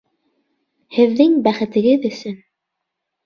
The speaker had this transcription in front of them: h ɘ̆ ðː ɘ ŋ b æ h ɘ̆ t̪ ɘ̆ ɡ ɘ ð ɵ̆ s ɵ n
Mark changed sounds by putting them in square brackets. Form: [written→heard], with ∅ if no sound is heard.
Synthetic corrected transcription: h ɘ̆ ðː ɘ ŋ b æ [h→χ] ɘ̆ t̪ ɘ̆ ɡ ɘ ð ɵ̆ s ɵ n